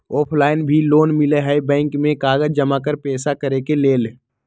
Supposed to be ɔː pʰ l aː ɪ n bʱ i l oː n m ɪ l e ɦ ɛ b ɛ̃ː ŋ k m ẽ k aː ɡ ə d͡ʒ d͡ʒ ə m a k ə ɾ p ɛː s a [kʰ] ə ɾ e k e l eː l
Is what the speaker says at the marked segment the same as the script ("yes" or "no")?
no